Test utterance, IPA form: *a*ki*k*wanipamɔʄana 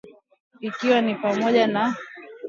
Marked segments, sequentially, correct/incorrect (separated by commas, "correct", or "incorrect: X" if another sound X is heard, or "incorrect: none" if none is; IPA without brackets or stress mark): incorrect: i, incorrect: none